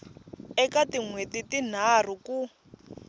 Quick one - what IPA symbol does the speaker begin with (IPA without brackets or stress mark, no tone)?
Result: ɛ